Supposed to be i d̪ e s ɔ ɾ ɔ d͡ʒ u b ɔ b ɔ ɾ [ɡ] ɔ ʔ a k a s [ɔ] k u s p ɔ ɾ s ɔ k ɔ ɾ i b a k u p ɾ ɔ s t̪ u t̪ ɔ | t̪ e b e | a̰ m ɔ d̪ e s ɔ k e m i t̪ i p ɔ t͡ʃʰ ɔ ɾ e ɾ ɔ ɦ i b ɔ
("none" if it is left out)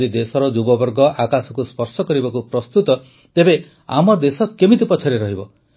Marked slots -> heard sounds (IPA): ɡ, ɔ

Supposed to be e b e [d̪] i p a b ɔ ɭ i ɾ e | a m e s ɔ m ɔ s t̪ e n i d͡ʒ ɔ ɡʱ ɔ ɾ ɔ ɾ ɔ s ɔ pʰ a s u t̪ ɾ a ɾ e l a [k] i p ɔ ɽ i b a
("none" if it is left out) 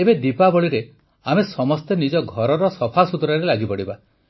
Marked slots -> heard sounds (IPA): d̪, ɡ

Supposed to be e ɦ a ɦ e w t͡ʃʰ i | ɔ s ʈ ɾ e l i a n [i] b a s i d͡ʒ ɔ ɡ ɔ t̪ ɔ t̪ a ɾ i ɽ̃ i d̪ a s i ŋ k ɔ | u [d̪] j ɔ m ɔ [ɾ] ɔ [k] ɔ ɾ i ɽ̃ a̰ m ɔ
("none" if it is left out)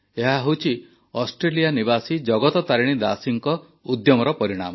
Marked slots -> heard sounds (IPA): i, d̪, ɾ, p

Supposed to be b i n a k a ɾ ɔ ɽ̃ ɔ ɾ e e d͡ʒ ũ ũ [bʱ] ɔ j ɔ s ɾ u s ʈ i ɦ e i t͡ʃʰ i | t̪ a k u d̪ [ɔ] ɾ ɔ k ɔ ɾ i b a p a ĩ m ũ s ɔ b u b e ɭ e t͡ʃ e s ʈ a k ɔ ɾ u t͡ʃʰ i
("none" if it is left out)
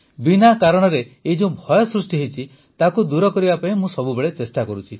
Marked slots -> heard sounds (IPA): bʱ, u

